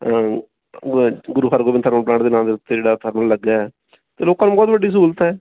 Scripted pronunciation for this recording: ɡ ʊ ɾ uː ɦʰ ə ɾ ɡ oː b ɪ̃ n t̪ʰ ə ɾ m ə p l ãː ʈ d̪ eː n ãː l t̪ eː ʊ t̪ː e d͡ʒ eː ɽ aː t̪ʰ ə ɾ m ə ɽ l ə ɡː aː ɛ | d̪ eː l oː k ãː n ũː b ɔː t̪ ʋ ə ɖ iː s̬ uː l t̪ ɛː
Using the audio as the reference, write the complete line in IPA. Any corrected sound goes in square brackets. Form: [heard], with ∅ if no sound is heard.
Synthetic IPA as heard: ɡ ʊ ɾ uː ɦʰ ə ɾ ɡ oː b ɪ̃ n t̪ʰ ə ɾ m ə p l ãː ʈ d̪ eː n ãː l [d̪] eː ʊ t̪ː e d͡ʒ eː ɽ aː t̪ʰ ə ɾ m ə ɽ l ə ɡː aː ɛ | [t̪] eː l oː k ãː n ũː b ɔː t̪ ʋ ə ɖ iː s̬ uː l t̪ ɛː